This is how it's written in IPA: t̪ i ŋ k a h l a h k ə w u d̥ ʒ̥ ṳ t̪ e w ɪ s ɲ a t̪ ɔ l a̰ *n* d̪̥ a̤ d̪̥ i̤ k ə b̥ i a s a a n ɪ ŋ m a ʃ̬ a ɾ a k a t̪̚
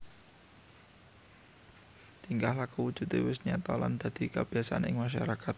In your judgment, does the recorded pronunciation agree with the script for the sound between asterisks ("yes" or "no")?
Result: yes